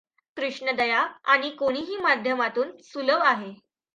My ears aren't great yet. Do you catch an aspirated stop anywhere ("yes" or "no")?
no